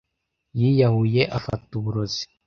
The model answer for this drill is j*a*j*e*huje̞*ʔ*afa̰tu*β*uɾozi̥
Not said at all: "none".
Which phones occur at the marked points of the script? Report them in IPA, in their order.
i, a, ʔ, β

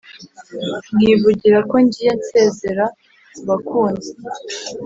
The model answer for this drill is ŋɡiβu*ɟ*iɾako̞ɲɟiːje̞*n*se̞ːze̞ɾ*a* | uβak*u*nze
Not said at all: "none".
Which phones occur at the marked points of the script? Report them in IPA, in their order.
ɟ, n, a, uː

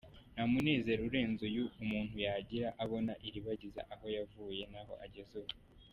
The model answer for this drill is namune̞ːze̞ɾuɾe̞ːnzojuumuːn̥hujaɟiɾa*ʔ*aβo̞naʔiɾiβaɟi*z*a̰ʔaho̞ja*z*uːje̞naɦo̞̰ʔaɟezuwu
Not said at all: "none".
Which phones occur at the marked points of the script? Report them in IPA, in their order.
ʔ, z, v

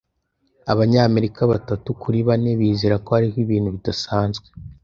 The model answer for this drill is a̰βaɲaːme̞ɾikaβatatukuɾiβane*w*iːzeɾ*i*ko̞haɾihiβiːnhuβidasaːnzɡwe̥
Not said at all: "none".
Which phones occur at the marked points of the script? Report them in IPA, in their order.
β, a

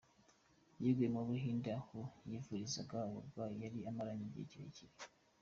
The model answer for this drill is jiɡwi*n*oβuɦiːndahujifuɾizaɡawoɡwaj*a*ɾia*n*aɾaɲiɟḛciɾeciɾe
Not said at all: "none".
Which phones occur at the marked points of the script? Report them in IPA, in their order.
m, a, m

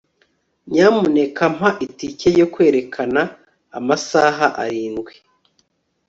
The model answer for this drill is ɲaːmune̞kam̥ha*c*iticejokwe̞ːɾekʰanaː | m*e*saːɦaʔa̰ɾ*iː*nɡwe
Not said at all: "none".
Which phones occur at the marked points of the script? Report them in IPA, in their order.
ʔ, a, iː

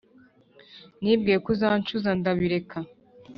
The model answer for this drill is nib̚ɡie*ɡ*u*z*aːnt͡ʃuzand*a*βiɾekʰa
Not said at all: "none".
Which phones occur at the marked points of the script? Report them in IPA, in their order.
k, z, a

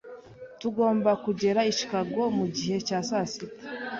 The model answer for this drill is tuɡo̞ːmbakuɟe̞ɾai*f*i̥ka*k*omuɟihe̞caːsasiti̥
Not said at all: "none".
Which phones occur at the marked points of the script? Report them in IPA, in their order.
ʃ, ɡ

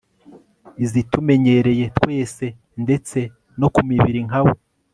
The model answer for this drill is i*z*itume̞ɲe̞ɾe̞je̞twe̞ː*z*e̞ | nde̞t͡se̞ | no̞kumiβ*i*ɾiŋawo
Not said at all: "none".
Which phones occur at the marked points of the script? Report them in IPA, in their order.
z, s, i

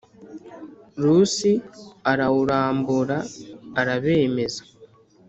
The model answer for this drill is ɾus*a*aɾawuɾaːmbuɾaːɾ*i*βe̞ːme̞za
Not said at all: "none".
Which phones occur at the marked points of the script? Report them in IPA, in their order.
i, a

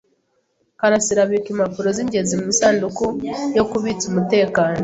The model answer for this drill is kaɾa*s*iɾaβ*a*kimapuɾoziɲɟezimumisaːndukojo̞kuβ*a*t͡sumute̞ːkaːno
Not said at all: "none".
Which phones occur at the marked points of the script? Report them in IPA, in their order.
s, i, i

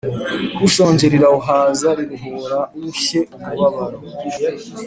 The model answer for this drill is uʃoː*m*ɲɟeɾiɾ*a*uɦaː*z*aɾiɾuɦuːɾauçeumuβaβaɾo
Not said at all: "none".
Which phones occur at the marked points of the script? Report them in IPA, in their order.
none, a, z

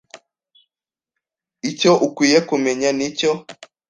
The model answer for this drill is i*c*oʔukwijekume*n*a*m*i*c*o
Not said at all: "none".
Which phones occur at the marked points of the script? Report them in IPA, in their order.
c, ɲ, n, c

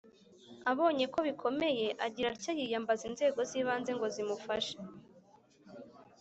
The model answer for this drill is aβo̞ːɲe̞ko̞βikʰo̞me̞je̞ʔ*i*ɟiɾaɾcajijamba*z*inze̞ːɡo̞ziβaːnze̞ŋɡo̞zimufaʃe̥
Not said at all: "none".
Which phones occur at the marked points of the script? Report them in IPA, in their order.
a, z

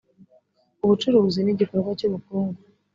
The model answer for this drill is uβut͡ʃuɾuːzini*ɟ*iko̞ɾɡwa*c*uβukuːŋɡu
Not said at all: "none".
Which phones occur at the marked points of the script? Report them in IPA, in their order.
ɟ, c

